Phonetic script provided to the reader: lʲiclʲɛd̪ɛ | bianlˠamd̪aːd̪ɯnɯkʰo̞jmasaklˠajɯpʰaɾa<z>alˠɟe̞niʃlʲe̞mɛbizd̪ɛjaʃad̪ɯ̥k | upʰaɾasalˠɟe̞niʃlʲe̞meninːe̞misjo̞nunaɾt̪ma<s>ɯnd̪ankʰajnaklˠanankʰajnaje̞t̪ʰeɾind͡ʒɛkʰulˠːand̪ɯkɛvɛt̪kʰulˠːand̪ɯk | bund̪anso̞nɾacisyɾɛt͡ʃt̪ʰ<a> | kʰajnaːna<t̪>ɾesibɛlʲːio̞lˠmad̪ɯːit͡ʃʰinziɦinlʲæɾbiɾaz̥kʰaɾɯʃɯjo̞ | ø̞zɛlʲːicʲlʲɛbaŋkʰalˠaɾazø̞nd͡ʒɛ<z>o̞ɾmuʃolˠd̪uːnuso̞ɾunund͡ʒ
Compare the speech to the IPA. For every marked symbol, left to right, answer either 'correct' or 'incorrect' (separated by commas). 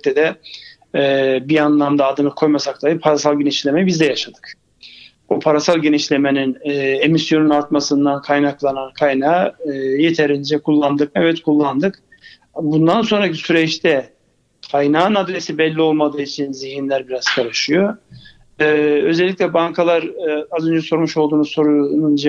incorrect, correct, incorrect, incorrect, incorrect